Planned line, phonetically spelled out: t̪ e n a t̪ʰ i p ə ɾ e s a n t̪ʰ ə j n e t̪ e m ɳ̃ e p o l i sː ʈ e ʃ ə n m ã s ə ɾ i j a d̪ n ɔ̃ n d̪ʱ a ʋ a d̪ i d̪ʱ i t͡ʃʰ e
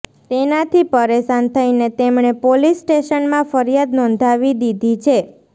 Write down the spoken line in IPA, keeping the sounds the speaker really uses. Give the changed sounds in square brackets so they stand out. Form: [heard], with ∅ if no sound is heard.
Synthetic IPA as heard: t̪ e n a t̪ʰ i p ə ɾ e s a n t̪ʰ ə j n e t̪ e m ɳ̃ e p o l i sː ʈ e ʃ ə n m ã [f] ə ɾ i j a d̪ n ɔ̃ n d̪ʱ a ʋ [i] d̪ i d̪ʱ i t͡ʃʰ e